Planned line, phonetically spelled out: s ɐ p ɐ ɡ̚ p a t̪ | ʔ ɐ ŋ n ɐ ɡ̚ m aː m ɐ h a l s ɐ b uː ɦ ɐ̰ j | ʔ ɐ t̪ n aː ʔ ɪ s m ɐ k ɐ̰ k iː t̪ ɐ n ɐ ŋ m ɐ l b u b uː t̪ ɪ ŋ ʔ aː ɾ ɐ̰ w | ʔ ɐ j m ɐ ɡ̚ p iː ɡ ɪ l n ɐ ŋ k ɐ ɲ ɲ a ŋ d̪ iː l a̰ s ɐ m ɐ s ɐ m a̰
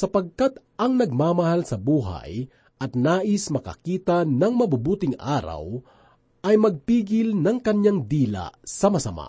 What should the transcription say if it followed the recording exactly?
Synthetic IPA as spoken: s ɐ p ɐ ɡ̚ k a t̪ | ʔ ɐ ŋ n ɐ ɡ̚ m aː m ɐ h a l s ɐ b uː ɦ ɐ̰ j | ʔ ɐ t̪ n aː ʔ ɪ s m ɐ k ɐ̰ k iː t̪ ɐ n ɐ ŋ m ɐ b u b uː t̪ ɪ ŋ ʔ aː ɾ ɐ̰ w | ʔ ɐ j m ɐ ɡ̚ p iː ɡ ɪ l n ɐ ŋ k ɐ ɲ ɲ a ŋ d̪ iː l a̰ s ɐ m ɐ s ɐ m a̰